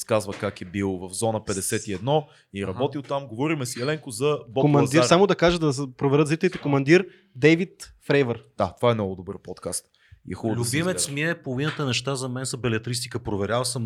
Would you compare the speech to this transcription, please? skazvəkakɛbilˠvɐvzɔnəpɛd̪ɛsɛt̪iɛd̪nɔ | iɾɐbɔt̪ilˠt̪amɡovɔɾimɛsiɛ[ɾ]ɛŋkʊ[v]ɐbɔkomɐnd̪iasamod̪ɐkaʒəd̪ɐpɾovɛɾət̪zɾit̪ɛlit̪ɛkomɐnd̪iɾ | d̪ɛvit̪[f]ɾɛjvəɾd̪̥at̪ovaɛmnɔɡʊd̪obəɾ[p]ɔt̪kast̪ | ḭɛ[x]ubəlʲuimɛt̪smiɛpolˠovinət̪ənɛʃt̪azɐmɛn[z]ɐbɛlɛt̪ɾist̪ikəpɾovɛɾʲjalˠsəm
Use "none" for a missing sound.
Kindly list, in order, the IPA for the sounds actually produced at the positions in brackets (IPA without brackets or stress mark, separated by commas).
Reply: l, z, f, p, x, s